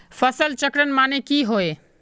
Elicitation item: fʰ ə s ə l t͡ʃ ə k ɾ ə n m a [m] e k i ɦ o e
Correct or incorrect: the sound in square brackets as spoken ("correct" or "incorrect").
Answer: incorrect